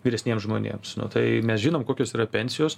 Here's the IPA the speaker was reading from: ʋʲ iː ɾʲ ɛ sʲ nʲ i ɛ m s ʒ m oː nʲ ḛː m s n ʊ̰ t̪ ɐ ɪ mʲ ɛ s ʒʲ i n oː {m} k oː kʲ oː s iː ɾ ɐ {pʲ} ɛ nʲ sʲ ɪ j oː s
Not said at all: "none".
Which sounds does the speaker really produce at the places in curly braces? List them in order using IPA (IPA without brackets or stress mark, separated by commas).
m, pʲ